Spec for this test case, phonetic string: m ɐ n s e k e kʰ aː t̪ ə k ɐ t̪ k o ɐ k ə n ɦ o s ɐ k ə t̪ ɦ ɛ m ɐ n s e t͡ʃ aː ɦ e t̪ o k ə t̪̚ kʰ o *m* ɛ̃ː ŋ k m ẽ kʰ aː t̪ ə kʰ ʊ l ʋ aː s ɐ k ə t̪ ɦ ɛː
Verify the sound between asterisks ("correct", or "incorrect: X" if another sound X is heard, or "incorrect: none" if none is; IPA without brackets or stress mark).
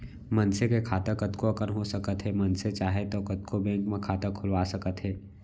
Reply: incorrect: b